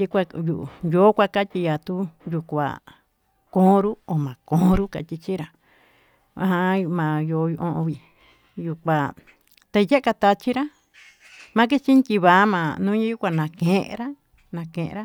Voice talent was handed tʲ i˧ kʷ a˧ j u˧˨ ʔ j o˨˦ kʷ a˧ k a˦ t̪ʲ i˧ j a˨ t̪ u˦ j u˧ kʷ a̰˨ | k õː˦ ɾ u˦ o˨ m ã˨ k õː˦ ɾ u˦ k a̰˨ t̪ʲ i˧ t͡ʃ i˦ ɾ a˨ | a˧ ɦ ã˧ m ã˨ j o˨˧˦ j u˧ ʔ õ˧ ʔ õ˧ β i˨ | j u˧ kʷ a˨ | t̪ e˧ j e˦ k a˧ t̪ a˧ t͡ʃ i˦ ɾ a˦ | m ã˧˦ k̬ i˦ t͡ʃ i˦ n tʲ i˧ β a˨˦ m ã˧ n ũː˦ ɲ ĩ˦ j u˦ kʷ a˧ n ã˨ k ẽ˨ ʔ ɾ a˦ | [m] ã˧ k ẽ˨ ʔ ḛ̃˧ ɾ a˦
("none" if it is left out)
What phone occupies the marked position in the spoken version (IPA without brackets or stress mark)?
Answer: n